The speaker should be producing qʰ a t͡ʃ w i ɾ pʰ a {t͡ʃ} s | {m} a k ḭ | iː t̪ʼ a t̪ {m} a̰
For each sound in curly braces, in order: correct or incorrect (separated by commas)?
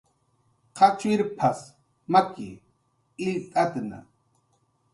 incorrect, correct, incorrect